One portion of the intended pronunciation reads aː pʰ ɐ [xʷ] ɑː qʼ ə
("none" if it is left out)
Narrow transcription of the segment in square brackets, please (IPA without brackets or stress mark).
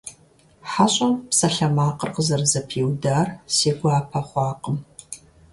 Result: χʷ